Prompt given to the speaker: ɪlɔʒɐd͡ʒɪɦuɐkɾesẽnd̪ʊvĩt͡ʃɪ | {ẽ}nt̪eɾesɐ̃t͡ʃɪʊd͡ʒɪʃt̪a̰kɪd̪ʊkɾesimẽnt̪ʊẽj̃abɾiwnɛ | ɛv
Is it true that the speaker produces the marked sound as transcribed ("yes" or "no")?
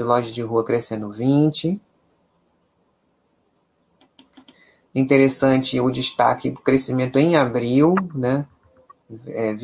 no